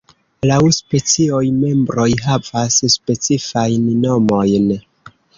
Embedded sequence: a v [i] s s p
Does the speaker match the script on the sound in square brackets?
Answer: no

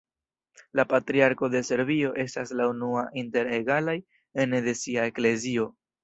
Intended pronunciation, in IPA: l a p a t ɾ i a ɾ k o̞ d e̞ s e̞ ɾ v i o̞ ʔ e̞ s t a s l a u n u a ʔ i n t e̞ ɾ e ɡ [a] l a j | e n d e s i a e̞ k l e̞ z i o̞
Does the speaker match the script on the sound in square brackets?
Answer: yes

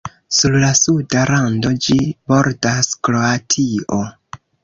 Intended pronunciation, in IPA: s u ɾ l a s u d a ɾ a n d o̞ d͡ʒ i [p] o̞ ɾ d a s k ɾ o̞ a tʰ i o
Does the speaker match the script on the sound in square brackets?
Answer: no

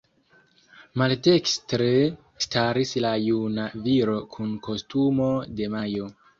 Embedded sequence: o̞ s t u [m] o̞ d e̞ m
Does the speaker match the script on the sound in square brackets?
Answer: yes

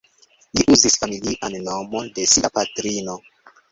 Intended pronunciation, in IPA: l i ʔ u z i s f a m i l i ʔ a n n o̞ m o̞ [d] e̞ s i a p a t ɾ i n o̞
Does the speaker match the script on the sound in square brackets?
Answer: yes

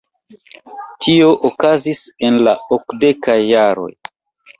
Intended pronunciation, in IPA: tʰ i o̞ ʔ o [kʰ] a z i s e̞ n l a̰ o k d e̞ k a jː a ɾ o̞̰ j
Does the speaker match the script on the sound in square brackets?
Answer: no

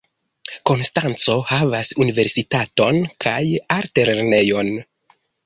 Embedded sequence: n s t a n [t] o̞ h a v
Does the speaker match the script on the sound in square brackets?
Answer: no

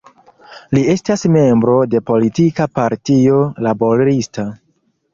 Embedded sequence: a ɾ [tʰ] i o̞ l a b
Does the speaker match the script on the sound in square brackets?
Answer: no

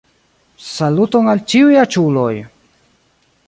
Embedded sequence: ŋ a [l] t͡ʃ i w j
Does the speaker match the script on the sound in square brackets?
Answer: yes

